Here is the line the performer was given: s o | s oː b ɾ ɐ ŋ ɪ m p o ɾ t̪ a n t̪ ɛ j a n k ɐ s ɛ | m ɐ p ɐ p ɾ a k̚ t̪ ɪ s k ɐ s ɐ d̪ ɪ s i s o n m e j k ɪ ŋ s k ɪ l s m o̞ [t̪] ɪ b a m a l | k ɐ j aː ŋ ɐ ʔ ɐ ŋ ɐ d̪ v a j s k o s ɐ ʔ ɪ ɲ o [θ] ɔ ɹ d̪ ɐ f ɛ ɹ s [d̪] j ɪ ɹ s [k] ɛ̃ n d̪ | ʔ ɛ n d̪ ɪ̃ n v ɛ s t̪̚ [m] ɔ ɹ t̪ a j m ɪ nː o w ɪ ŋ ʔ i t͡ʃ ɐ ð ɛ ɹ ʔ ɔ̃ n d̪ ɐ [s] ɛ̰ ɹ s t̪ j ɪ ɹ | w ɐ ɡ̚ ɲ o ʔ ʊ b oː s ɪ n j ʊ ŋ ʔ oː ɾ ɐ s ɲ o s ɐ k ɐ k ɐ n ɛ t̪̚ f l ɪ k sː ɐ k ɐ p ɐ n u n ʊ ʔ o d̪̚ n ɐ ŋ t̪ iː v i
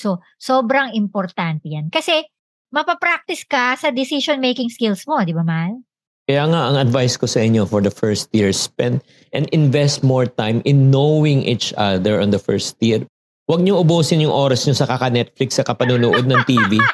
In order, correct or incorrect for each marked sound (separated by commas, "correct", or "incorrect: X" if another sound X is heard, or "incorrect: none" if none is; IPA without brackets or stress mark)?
incorrect: d̪, incorrect: f, incorrect: t̪, incorrect: p, correct, incorrect: f